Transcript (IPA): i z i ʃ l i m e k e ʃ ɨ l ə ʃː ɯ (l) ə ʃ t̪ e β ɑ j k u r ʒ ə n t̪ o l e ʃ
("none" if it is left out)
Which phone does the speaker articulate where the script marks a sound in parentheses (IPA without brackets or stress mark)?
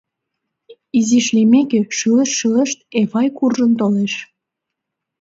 l